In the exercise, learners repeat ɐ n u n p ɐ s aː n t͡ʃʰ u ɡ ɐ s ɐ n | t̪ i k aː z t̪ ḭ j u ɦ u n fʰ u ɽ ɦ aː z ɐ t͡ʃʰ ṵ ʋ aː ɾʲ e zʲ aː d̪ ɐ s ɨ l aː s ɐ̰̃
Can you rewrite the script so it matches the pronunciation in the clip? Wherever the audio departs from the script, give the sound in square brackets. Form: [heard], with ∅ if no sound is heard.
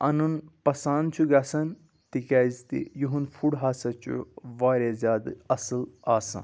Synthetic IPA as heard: ɐ n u n p ɐ s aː n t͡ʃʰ u ɡ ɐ s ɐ n | t̪ i k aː z t̪ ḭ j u ɦ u n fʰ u ɽ ɦ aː [s] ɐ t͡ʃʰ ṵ ʋ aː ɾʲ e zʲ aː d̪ ɐ s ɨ l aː s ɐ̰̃

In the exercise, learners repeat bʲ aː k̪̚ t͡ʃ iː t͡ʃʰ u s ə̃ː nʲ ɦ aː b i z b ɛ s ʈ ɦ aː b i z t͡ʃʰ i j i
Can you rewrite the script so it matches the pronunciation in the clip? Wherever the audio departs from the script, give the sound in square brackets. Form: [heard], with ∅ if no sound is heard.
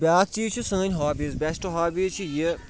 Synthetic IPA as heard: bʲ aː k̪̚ t͡ʃ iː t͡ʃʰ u s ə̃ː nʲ ɦ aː b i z b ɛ s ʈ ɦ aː b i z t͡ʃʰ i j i

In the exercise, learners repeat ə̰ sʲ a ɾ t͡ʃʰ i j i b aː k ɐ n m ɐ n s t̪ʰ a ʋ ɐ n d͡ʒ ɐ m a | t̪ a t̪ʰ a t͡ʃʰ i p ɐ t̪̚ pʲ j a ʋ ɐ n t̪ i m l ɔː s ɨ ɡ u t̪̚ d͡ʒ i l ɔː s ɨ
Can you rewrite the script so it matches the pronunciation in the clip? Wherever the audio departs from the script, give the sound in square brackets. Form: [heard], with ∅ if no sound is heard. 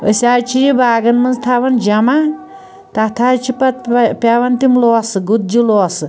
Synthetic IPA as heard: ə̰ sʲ a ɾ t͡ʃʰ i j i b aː [ɡ] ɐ n m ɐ n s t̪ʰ a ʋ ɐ n d͡ʒ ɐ m a | t̪ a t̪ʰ a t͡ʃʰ i p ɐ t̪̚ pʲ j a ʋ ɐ n t̪ i m l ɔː s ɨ ɡ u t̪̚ d͡ʒ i l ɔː s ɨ

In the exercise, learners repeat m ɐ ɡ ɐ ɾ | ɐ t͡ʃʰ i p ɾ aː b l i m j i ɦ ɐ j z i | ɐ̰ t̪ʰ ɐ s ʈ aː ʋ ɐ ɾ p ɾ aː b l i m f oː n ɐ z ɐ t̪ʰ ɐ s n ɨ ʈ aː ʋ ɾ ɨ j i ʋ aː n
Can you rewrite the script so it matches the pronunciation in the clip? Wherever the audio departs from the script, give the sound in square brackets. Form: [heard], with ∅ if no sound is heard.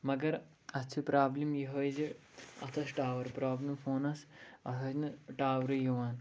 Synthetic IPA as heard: m ɐ ɡ ɐ ɾ | ɐ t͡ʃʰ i p ɾ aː b l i m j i ɦ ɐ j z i | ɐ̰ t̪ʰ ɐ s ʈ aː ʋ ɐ ɾ p ɾ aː b l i m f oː n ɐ [s] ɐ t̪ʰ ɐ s n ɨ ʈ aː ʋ ɾ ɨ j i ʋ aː n

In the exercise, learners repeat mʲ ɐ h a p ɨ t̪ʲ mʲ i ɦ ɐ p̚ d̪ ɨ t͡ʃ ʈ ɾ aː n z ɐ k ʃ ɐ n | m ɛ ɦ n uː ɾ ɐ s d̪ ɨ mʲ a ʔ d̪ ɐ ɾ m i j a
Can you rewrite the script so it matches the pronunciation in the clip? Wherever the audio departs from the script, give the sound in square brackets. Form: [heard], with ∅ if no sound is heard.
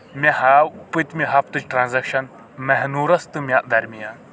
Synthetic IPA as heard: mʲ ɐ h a p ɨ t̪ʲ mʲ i ɦ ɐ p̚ [t̪] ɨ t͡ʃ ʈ ɾ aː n z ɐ k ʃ ɐ n | m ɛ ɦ n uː ɾ ɐ s [t̪] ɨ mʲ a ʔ d̪ ɐ ɾ m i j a

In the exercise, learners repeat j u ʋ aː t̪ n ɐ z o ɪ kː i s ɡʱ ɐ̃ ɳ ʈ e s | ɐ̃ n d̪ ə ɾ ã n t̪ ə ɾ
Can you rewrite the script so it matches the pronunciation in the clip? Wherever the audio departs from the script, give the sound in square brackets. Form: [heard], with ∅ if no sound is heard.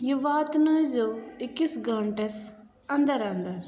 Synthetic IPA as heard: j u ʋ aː t̪ n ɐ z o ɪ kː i s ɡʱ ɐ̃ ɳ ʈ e s | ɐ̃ n d̪ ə ɾ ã n [d̪] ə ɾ

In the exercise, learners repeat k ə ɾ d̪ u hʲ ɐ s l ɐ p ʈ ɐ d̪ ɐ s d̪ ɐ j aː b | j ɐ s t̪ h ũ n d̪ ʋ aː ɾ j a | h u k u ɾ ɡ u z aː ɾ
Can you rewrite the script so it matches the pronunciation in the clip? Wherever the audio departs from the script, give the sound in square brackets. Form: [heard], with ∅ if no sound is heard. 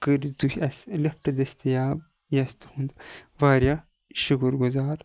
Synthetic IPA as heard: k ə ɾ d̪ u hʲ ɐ s l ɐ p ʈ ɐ d̪ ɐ s [t̪] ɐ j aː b | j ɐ s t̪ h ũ n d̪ ʋ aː ɾ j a | [ʃ] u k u ɾ ɡ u z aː ɾ

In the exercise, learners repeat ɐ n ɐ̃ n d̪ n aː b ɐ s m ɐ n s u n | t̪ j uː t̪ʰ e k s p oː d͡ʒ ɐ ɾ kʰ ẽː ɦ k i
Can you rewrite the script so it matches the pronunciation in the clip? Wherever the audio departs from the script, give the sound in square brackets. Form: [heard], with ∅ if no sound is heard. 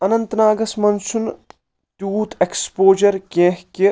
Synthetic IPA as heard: ɐ n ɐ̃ n [t̪] n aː [ɡ] ɐ s m ɐ n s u n | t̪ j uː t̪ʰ e k s p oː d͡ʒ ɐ ɾ [k] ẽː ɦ k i

